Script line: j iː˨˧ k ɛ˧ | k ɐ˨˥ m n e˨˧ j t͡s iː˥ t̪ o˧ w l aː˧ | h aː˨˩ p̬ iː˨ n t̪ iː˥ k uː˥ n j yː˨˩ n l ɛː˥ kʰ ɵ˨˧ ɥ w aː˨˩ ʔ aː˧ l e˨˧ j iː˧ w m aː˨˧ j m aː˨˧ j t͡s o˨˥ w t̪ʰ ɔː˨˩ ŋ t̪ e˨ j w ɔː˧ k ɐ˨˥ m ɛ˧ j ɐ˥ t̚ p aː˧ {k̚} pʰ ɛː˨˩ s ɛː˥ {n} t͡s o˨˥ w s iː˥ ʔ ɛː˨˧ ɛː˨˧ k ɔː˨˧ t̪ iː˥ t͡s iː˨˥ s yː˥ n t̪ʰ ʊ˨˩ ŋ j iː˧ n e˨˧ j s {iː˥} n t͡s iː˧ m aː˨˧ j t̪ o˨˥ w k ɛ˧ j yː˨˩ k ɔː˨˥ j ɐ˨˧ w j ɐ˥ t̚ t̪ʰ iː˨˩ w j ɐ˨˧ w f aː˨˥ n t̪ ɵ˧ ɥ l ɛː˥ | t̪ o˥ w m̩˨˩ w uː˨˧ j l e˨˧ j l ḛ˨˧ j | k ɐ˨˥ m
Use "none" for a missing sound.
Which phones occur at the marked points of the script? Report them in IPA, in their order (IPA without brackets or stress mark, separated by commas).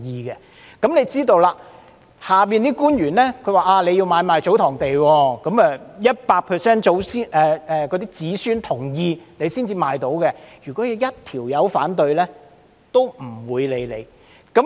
k̚, n, iː˥